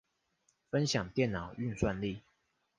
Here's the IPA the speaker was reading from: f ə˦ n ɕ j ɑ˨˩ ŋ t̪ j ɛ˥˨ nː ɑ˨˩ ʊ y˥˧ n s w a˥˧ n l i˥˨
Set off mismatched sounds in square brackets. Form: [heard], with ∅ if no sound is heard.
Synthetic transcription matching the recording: f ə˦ n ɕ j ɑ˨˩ ŋ t̪ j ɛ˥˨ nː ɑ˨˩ ʊ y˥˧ n s w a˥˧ n l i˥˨